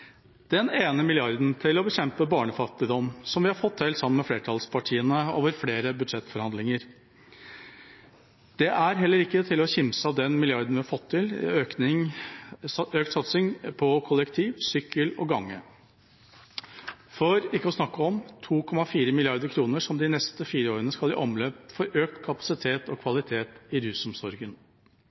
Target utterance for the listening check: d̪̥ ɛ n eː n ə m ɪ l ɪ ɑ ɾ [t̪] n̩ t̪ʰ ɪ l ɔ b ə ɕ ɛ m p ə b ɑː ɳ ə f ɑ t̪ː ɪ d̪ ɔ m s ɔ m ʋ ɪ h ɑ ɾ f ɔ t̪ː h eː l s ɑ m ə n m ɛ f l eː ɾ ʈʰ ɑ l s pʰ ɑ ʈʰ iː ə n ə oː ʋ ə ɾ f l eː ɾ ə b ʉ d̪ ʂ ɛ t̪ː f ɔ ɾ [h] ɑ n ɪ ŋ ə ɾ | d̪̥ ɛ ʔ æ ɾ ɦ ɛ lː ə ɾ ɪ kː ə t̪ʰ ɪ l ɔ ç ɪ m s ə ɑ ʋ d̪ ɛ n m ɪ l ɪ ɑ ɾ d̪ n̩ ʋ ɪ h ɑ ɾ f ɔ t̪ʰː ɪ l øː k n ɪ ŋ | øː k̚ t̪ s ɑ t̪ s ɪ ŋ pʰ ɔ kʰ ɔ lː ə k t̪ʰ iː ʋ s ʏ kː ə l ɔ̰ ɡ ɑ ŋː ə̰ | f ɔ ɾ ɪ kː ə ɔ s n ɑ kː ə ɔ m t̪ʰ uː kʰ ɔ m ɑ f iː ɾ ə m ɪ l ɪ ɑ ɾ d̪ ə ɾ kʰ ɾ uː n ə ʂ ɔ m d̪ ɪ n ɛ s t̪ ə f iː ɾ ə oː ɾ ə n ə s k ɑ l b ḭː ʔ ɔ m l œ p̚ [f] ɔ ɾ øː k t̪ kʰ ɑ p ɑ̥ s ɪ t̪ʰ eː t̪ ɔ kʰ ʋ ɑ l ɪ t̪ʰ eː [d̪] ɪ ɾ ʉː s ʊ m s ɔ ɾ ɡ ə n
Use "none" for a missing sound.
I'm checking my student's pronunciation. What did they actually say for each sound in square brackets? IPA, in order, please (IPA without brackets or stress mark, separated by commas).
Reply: d̪, h, f, t̪